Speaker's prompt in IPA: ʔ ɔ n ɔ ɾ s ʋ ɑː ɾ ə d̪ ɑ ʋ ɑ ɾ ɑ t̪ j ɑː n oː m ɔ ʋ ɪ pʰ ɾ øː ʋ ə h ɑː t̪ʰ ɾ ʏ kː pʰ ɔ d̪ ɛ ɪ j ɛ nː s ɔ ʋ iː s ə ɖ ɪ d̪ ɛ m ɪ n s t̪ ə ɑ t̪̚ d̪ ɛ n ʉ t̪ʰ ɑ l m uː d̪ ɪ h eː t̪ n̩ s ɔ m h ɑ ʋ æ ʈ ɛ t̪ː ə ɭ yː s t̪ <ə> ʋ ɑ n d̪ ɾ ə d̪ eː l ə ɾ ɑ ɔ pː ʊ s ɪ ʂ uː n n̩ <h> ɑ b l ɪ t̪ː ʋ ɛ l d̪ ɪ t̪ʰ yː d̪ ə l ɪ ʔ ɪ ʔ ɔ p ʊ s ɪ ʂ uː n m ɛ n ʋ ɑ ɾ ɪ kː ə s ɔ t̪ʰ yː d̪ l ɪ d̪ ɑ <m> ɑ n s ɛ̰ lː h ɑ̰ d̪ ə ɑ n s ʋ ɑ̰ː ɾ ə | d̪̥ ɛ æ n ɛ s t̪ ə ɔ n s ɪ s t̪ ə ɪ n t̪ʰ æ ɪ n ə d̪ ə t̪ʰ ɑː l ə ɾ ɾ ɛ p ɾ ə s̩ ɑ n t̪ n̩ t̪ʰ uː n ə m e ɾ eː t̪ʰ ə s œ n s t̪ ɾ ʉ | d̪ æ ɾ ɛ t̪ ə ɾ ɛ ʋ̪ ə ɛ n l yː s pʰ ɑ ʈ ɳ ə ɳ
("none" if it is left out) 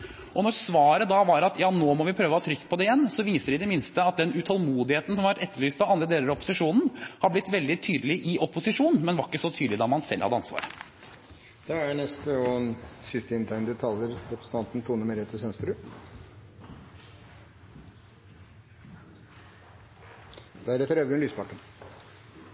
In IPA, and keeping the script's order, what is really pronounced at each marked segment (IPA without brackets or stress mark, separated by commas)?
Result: ɑ, h, m